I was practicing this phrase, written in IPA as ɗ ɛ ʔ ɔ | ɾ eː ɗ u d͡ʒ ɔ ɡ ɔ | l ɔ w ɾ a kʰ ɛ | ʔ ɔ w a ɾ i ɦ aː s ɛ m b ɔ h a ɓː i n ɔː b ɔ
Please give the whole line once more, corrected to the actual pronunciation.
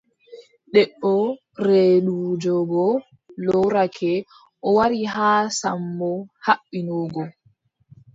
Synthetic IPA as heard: ɗ ɛ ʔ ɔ | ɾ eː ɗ u d͡ʒ ɔ ɡ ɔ | l ɔ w ɾ a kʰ ɛ | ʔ ɔ w a ɾ i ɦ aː s a m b ɔ h a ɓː i n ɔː ɡ ɔ